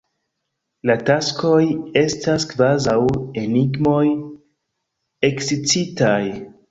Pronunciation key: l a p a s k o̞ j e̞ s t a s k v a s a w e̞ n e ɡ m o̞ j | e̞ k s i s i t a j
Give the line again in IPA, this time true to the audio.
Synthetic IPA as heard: l a t a s k o̞ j e̞ s t a s k v a z a w e̞ n i ɡ m o̞ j | e̞ k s i t͡s i t a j